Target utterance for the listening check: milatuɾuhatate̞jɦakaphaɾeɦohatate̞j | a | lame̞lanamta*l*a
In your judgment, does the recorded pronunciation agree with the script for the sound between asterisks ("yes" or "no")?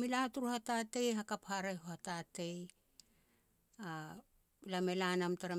no